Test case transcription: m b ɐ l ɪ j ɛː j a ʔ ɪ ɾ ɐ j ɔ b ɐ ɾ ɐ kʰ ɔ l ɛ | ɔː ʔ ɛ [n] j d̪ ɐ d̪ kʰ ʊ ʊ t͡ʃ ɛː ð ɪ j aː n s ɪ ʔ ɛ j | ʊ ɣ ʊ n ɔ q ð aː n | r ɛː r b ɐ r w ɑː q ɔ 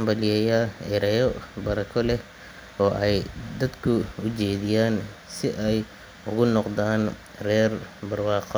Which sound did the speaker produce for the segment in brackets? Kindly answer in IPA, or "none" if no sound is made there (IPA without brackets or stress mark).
none